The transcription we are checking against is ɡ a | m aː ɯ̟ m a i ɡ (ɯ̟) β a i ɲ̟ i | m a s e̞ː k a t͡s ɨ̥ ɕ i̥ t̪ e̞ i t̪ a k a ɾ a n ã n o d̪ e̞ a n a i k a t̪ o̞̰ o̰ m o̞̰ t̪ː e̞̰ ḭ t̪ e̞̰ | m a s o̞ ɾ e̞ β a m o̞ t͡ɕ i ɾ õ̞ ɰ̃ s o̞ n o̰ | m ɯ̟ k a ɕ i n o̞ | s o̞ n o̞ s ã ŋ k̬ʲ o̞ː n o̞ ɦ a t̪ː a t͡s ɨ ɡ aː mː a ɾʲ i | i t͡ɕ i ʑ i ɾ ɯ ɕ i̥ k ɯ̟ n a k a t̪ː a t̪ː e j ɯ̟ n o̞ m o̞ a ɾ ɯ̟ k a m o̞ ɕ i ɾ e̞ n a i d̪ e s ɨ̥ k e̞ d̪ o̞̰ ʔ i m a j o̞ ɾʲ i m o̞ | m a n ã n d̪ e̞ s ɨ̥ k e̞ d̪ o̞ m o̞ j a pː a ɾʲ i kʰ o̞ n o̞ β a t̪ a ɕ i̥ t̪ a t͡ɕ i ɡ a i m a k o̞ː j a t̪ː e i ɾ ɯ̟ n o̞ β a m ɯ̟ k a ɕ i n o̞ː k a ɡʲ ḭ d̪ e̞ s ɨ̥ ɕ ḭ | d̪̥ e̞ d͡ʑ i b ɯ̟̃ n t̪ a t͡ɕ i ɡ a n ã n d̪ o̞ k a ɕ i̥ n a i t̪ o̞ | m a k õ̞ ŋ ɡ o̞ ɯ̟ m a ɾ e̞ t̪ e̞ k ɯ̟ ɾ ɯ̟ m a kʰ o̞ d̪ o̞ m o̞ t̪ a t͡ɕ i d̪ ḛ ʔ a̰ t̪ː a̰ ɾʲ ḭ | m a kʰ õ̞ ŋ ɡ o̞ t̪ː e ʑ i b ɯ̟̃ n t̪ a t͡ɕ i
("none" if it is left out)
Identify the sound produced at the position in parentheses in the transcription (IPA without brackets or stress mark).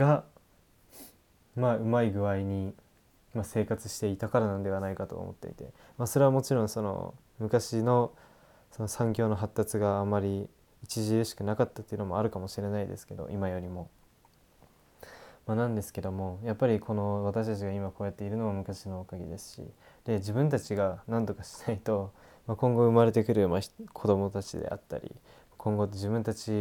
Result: ɯ̟